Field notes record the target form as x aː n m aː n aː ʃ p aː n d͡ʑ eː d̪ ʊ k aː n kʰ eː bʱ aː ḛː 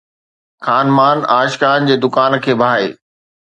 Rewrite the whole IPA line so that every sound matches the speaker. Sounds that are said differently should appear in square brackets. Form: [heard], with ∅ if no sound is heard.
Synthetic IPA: x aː n m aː n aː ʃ [k] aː n d͡ʑ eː d̪ ʊ k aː n kʰ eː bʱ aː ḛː

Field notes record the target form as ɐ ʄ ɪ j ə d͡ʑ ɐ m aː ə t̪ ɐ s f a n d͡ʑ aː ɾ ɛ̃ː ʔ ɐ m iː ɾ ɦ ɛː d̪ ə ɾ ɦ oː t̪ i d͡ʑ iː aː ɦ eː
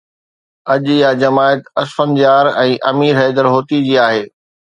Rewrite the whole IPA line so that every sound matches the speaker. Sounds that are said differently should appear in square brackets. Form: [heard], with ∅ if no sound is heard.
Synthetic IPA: ɐ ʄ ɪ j [a] d͡ʑ ɐ m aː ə t̪ ɐ s f [ə] n d͡ʑ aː ɾ ɛ̃ː ʔ ɐ m iː ɾ ɦ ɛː d̪ ə ɾ ɦ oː t̪ i d͡ʑ iː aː ɦ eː

